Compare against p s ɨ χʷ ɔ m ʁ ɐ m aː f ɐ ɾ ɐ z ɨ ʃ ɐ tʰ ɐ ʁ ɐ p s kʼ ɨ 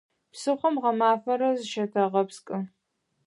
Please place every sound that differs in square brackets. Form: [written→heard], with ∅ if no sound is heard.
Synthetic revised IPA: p s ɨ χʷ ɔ m ʁ ɐ m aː f ɐ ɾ ɐ z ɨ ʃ ɐ tʰ ɐ ʁ ɐ p s kʼ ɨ